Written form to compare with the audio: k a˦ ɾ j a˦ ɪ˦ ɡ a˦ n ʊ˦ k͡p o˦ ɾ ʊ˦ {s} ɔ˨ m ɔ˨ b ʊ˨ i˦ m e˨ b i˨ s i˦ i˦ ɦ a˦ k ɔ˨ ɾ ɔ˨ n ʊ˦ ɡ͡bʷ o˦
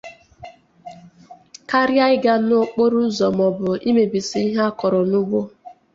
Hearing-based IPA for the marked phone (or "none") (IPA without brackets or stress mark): z